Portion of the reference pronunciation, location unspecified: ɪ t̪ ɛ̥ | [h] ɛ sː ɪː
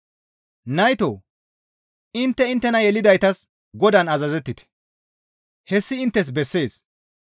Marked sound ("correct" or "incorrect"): correct